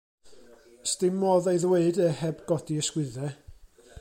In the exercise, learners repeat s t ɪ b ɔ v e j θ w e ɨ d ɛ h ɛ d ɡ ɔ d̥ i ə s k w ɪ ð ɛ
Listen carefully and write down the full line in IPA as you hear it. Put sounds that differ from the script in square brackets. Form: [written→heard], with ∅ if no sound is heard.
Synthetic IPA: s t ɪ [b→m] ɔ [v→ð] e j [θ→ð] w e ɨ d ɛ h ɛ [d→b] ɡ ɔ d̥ i ə s k w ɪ ð ɛ